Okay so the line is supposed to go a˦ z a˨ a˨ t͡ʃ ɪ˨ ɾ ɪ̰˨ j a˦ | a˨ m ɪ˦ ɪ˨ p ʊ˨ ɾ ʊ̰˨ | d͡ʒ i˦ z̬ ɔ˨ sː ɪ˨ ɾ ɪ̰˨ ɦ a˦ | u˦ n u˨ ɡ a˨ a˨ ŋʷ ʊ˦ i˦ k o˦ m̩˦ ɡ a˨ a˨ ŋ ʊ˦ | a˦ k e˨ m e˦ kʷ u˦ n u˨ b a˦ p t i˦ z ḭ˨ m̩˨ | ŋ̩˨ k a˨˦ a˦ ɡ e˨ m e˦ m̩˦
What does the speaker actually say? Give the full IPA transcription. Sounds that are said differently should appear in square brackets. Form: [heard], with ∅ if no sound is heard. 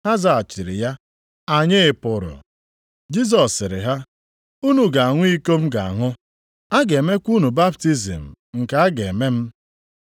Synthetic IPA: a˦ z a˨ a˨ t͡ʃ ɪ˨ ɾ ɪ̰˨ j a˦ | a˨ [ɲ] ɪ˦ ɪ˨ p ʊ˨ ɾ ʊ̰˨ | d͡ʒ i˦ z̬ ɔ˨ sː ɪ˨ ɾ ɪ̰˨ ɦ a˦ | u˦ n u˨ ɡ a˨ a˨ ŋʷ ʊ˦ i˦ k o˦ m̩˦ ɡ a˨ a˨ ŋ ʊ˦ | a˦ [ɡ] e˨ m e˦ kʷ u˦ n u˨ b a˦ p t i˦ z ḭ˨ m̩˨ | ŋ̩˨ k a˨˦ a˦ ɡ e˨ m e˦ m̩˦